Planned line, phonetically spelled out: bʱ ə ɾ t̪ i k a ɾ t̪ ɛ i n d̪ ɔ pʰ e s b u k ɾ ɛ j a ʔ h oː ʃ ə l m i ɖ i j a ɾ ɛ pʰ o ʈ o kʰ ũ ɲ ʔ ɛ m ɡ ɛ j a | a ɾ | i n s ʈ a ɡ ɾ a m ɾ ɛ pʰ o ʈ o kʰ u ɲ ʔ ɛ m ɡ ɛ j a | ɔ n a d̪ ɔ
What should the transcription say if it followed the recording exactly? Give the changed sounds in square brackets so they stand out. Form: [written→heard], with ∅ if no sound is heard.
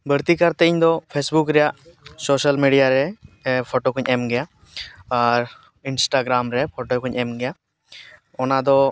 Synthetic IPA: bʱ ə ɾ t̪ i k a ɾ t̪ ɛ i [n→ɲ] d̪ ɔ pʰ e s b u k ɾ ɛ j a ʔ [h→s] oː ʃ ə l m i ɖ i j a ɾ ɛ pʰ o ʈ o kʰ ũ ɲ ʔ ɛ m ɡ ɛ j a | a ɾ | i n s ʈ a ɡ ɾ a m ɾ ɛ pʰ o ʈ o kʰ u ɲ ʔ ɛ m ɡ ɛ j a | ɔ n a d̪ ɔ